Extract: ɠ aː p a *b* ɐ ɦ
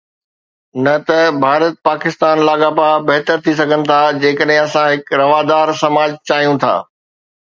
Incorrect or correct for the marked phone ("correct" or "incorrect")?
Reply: correct